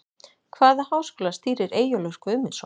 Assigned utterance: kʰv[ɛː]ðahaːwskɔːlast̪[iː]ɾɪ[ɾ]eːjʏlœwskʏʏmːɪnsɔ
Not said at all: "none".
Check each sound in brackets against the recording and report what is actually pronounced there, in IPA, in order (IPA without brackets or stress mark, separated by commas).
aː, iː, ɾ